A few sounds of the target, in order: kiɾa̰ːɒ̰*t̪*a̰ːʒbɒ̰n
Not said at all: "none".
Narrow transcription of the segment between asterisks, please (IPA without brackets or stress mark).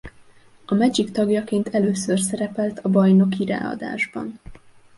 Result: d̪